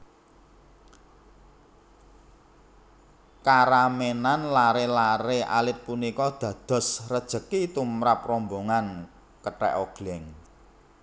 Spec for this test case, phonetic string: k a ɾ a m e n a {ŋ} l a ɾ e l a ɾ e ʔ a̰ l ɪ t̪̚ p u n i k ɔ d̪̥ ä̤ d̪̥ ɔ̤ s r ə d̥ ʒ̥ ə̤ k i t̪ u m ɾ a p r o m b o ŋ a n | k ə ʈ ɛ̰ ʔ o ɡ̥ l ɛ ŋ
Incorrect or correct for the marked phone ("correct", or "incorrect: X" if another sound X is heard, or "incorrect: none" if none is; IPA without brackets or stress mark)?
incorrect: n